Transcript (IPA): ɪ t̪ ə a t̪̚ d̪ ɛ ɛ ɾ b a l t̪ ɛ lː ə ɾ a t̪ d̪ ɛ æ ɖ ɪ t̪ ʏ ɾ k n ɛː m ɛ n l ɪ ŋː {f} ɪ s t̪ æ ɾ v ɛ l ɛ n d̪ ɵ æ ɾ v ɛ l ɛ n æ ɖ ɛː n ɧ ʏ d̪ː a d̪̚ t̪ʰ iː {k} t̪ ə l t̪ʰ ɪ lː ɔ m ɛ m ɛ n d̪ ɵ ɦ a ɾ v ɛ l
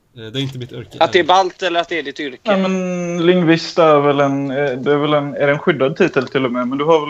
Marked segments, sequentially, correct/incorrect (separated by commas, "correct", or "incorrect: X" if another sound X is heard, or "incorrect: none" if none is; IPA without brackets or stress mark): incorrect: v, incorrect: none